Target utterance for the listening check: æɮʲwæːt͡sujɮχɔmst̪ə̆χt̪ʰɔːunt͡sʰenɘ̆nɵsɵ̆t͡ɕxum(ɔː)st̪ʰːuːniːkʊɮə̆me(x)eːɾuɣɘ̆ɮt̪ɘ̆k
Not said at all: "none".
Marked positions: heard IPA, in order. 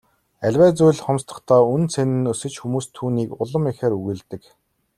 uː, x

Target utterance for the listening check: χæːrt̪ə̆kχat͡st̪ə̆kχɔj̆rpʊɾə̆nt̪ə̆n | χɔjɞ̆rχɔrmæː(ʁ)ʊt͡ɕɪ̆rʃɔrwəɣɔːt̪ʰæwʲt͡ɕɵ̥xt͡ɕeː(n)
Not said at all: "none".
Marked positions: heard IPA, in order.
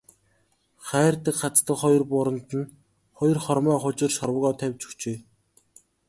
χ, none

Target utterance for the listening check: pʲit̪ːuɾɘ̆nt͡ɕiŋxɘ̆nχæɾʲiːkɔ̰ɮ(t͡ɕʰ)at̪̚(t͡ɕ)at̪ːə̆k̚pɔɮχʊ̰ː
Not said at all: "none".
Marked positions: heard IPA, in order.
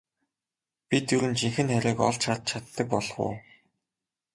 t͡ɕʰ, t͡ɕʰ

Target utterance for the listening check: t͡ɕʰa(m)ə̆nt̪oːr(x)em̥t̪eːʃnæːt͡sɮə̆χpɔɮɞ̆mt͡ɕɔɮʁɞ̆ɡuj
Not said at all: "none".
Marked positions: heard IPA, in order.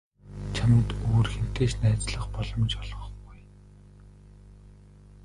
m, x

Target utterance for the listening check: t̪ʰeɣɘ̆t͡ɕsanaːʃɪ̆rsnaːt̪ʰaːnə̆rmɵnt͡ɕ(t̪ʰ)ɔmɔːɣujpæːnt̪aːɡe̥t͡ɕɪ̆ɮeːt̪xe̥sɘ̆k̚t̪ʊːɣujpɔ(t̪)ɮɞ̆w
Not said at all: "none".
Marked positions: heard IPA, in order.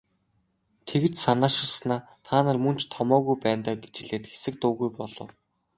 t̪ʰ, none

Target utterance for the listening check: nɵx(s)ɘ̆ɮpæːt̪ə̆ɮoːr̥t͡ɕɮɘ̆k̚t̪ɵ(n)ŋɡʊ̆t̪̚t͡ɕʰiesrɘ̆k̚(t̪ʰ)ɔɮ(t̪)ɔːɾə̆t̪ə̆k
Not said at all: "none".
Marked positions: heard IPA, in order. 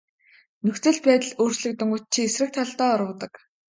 t͡s, none, t̪ʰ, t̪

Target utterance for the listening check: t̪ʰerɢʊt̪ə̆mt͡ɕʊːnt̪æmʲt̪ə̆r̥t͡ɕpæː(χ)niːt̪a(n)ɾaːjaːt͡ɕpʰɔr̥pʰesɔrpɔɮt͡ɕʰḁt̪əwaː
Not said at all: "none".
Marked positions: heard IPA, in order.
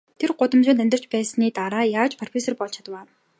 s, none

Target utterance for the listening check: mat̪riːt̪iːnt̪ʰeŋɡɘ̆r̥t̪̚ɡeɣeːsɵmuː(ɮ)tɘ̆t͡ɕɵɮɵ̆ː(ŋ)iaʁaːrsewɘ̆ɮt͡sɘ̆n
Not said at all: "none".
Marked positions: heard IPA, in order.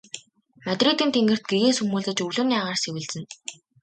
ɮ, n

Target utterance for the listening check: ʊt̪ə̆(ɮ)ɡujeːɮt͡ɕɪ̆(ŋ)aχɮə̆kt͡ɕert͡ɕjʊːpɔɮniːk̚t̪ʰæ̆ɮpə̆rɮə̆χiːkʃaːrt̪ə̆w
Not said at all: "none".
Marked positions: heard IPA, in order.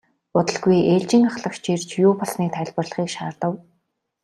ɮ, ŋ

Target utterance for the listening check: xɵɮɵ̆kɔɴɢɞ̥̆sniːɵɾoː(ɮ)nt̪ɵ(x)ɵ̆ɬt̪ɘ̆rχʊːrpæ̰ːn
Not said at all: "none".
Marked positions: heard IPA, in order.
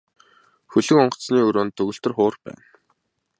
none, ɣ

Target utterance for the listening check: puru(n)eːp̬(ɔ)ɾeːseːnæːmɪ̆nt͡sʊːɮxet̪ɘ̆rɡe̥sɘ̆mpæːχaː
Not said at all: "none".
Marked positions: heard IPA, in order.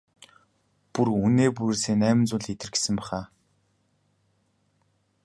n, u

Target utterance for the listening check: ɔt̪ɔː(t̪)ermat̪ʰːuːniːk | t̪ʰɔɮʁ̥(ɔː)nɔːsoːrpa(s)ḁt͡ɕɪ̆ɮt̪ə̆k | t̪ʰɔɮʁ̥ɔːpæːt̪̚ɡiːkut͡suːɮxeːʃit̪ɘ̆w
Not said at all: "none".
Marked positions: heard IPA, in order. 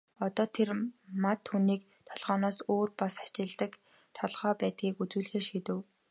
t̪ʰ, ɔː, s

